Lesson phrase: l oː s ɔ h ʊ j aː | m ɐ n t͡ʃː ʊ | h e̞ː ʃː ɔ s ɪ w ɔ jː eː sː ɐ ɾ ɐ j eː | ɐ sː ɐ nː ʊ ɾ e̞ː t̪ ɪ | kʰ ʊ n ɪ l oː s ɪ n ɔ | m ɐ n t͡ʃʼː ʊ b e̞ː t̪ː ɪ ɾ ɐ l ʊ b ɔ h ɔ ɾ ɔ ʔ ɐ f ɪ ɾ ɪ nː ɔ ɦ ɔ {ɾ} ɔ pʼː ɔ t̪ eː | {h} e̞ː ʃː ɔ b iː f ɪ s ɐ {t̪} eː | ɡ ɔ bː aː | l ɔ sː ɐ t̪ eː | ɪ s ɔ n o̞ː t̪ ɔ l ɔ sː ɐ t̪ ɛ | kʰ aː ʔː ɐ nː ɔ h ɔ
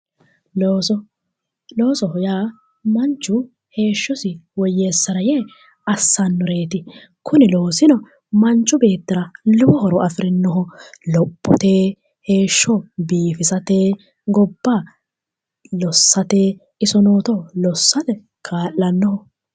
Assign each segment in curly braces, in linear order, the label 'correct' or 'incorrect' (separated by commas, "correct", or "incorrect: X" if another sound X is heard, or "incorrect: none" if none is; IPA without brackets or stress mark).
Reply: incorrect: l, correct, correct